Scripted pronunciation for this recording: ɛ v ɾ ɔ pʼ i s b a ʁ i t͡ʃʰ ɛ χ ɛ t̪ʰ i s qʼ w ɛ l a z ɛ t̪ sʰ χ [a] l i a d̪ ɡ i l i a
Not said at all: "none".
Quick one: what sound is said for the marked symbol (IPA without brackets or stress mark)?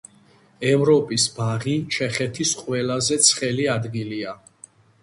ɛ